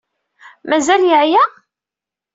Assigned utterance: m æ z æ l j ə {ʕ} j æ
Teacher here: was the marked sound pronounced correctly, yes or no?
yes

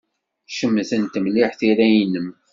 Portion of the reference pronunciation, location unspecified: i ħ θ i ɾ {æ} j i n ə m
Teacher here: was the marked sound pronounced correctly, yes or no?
yes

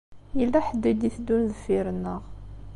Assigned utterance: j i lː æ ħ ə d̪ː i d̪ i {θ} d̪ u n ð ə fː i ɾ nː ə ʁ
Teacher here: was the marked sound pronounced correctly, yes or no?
yes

